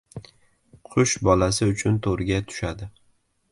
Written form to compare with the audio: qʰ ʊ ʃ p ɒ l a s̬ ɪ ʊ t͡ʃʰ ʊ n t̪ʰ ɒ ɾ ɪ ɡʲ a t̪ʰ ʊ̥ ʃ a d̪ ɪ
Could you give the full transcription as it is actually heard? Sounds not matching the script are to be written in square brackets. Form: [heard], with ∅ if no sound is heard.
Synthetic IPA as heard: qʰ ʊ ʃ [b] ɒ l a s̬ ɪ ʊ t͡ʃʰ ʊ n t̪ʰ [o] ɾ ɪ ɡʲ a t̪ʰ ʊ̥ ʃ a d̪ ɪ